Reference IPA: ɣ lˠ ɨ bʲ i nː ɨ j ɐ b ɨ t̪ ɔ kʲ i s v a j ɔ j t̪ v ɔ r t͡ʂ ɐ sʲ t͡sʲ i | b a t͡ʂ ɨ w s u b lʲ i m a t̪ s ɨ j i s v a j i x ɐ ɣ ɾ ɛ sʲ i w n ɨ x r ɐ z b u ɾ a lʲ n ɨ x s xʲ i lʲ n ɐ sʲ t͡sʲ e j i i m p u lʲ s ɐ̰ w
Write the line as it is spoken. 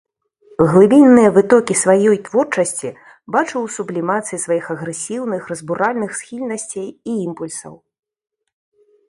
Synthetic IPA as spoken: ɣ lˠ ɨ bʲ i nː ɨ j ɐ v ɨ t̪ ɔ kʲ i s v a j ɔ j t̪ v ɔ r t͡ʂ ɐ sʲ t͡sʲ i | b a t͡ʂ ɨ w s u b lʲ i m a t̪ s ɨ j i s v a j i x ɐ ɣ ɾ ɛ sʲ i w n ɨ x r ɐ z b u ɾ a lʲ n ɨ x s xʲ i lʲ n ɐ sʲ t͡sʲ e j i i m p u lʲ s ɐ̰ w